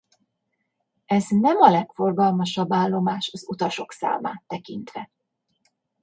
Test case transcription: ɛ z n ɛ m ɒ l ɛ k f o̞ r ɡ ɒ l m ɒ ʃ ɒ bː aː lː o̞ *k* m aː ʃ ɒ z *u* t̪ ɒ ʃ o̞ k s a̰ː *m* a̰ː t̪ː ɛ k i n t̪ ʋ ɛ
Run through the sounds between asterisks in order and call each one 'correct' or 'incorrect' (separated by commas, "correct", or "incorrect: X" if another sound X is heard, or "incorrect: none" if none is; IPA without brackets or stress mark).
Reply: incorrect: none, correct, correct